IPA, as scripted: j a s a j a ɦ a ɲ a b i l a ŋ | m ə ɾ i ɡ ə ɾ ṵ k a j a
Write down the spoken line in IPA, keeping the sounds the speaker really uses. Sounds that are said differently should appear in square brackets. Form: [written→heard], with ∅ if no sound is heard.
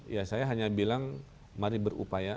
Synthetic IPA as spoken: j a s a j a ɦ a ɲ a b i l a ŋ | m [ə→a] ɾ i [ɡ→b] ə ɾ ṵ [k→p] a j a